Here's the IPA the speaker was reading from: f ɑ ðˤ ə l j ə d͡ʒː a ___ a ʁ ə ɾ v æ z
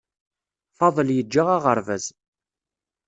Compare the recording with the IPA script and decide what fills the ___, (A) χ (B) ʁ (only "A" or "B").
B